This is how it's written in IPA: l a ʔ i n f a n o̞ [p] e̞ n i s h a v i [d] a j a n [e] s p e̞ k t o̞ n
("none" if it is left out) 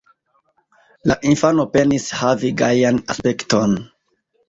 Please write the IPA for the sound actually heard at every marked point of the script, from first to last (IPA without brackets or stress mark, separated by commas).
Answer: p, ɡ, a